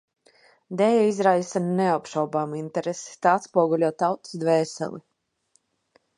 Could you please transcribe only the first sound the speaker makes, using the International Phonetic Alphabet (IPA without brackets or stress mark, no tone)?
d̪